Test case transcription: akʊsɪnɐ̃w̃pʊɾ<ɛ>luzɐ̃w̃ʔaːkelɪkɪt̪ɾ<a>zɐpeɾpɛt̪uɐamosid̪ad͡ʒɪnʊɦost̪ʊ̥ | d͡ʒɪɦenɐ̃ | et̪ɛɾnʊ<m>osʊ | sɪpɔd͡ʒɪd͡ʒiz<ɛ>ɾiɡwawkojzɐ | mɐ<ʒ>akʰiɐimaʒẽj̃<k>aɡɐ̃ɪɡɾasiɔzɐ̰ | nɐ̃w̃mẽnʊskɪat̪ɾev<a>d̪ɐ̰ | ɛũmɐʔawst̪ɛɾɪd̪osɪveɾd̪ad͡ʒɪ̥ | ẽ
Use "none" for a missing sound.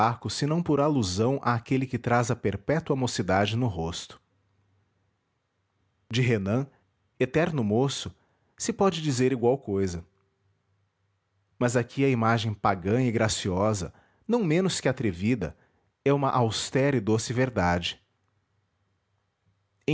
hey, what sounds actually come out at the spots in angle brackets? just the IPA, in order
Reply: a, a, m, e, z, p, i

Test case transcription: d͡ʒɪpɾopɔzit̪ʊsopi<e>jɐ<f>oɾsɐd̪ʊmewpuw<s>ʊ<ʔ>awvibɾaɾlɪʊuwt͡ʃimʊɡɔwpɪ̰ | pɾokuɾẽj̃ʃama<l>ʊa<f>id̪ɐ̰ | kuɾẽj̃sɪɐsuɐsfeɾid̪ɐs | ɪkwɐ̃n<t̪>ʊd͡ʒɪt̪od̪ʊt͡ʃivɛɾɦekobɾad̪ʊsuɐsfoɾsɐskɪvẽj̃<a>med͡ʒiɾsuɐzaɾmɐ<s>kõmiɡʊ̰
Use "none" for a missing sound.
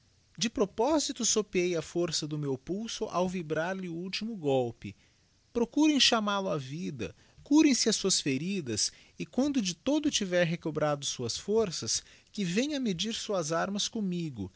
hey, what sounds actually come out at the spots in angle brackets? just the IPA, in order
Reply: e, f, s, ʔ, l, v, d̪, ɐ, s

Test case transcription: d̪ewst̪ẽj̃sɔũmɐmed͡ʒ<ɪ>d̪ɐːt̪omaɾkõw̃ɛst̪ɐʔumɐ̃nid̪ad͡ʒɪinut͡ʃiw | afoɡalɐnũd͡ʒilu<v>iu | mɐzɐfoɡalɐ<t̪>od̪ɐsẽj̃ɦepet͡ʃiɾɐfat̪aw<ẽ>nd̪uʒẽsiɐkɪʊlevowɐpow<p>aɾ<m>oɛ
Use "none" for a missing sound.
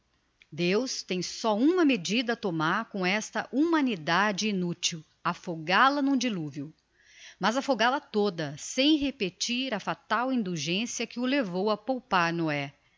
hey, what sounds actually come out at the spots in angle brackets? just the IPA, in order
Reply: i, v, t̪, ĩ, p, n

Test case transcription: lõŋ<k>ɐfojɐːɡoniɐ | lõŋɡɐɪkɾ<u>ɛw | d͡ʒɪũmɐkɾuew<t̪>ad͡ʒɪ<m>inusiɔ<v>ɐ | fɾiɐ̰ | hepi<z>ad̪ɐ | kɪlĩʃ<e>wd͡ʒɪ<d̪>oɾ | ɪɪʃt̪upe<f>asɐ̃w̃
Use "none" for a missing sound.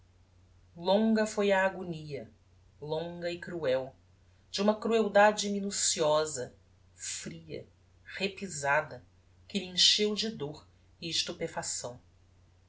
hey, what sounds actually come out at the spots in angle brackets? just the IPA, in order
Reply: ɡ, u, d̪, m, z, z, e, d̪, f

